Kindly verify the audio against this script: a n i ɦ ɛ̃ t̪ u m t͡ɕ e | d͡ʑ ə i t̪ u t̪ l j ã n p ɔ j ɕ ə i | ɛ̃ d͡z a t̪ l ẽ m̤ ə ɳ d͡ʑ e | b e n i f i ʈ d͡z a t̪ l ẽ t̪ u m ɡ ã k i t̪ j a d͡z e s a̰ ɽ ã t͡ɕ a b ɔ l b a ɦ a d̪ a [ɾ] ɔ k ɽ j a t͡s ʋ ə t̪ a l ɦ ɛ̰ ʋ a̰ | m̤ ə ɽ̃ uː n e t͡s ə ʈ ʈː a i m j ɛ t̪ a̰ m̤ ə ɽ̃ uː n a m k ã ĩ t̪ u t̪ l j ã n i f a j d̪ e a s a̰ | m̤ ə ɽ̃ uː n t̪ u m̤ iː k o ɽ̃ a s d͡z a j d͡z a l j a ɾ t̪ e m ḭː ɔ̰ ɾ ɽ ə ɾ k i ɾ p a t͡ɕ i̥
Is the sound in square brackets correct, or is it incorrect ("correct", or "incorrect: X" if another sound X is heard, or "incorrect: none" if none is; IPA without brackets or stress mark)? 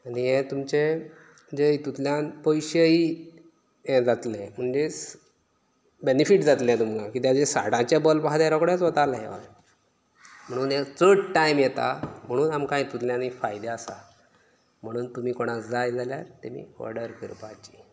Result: correct